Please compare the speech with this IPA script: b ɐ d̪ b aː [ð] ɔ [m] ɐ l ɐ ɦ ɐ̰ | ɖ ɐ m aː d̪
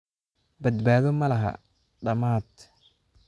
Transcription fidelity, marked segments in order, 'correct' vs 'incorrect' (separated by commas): correct, correct